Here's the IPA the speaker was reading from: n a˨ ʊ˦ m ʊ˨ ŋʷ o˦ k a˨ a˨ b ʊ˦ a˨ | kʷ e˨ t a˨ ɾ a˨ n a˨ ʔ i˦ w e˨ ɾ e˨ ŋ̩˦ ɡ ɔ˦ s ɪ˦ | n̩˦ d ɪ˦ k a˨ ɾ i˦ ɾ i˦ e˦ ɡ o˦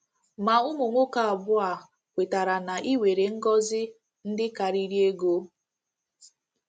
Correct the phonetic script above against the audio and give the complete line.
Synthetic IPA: m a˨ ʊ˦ m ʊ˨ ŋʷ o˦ k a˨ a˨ b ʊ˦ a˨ | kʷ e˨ t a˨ ɾ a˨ n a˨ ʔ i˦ w e˨ ɾ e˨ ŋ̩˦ ɡ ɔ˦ z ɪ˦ | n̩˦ d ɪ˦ k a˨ ɾ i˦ ɾ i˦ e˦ ɡ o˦

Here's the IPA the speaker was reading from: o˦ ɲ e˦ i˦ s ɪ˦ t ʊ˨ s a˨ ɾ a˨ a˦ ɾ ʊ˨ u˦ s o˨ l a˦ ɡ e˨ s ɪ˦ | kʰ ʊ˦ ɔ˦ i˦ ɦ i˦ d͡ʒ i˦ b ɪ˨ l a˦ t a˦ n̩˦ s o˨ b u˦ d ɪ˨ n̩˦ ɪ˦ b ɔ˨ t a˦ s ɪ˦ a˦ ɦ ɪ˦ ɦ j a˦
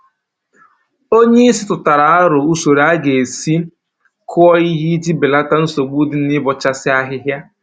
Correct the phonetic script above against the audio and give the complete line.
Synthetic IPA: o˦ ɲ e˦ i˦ s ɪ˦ t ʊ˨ t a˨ ɾ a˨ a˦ ɾ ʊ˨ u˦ s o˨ ɾ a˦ ɡ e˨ s i˦ | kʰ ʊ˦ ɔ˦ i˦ ɦ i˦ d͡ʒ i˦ b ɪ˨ l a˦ t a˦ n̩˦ s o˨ ɡ͡b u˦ d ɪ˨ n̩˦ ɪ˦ b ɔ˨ t͡ʃ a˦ s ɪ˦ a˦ ɦ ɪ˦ ɦ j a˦

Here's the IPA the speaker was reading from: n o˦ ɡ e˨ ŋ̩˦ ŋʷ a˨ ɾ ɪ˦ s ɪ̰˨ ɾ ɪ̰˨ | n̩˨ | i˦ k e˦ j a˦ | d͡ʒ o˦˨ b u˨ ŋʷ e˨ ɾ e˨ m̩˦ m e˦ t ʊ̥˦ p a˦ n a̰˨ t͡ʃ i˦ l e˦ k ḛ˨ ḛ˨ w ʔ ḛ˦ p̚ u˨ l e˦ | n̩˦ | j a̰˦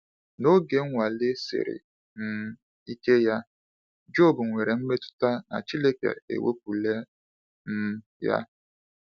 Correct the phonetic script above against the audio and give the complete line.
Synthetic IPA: n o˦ ɡ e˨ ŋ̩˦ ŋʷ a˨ l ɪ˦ s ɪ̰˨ ɾ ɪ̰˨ | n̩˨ | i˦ k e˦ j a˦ | d͡ʒ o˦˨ b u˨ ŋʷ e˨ ɾ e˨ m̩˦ m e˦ t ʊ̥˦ t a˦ n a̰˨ t͡ʃ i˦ l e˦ k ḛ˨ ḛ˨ w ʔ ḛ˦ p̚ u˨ l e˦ | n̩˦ | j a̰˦

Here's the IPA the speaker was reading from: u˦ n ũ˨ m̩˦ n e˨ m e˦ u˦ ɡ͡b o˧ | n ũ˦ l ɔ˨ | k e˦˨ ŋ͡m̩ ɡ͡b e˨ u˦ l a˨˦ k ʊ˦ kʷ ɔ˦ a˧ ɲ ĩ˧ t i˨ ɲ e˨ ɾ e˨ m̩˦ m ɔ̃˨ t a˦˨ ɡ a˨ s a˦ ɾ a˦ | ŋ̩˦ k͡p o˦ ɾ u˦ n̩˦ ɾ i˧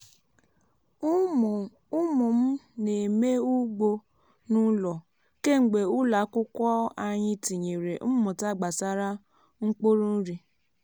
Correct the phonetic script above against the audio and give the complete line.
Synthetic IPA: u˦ m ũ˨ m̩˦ n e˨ m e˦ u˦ ɡ͡b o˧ | n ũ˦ l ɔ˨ | k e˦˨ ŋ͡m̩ ɡ͡b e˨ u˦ l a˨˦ k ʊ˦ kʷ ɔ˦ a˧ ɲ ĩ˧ t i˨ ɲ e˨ ɾ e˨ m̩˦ m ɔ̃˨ t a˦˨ ɡ͡b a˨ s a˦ ɾ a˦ | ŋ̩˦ k͡p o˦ ɾ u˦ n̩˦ ɾ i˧

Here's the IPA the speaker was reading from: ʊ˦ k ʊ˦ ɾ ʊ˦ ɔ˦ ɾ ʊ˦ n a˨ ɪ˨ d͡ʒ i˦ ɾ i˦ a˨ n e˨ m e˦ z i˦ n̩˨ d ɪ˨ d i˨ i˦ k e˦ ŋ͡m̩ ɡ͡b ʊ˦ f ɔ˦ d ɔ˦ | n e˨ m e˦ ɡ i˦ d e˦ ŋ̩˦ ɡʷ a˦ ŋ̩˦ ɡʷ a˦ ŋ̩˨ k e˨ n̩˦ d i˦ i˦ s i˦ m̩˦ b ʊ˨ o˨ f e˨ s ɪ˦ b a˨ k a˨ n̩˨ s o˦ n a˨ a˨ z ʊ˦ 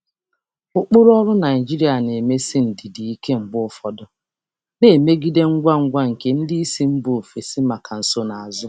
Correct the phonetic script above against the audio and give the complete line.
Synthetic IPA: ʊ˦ k͡p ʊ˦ ɾ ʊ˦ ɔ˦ ɾ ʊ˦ n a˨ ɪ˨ d͡ʒ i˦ ɾ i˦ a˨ n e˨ m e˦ s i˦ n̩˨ d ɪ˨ d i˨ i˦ k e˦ ŋ͡m̩ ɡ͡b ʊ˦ f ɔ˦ d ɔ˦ | n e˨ m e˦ ɡ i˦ d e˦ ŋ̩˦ ɡʷ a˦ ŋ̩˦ ɡʷ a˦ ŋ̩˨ k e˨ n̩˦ d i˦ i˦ s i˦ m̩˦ b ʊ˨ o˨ f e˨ s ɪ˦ m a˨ k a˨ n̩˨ s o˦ n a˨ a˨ z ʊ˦

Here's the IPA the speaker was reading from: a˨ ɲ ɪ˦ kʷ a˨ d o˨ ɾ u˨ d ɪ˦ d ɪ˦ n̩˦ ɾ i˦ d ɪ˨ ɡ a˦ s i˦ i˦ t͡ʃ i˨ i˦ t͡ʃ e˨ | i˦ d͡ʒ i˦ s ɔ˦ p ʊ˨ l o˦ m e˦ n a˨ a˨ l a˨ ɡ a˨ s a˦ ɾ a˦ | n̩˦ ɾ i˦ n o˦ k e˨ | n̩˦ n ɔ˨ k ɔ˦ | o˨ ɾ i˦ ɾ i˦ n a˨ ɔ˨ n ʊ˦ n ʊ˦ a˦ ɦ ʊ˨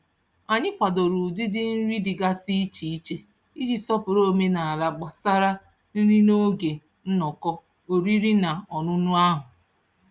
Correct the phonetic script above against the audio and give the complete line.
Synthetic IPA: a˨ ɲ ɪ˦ kʷ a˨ d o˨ ɾ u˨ d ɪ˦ d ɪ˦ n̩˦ ɾ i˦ d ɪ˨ ɡ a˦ s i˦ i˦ t͡ʃ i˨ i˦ t͡ʃ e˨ | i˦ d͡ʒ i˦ s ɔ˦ p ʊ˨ ɾ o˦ m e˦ n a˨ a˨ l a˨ ɡ͡b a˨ s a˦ ɾ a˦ | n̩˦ ɾ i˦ n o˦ ɡ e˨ | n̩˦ n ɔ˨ k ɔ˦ | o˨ ɾ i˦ ɾ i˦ n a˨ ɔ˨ n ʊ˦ n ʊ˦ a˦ ɦ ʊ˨

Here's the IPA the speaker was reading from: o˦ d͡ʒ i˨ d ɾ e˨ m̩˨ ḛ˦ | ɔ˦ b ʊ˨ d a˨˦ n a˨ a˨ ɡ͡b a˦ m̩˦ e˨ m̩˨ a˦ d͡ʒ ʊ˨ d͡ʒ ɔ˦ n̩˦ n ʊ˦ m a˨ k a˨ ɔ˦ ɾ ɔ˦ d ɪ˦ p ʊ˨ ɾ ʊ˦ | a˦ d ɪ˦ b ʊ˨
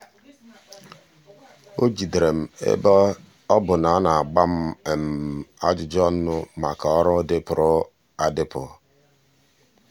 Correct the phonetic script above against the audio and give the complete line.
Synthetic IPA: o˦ d͡ʒ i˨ d ɾ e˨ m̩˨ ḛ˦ | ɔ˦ b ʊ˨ n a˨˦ n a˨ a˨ ɡ͡b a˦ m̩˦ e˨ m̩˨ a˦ d͡ʒ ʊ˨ d͡ʒ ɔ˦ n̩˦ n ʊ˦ m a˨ k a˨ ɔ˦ ɾ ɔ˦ d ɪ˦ p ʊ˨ ɾ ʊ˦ | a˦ d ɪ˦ p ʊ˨

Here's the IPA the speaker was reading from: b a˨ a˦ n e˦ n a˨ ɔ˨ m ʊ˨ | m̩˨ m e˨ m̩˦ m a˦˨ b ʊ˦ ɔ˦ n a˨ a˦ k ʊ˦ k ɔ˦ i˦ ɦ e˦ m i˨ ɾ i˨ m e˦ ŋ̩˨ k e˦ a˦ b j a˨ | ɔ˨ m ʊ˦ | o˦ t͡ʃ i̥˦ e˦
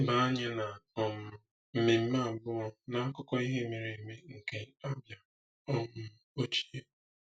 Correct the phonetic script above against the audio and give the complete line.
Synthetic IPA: b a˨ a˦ ɲ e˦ n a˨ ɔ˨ m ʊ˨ | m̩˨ m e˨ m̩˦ m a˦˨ b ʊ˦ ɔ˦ n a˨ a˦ k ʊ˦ k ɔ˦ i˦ ɦ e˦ m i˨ ɾ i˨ m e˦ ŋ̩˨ k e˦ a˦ b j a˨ | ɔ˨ m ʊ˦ | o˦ t͡ʃ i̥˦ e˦

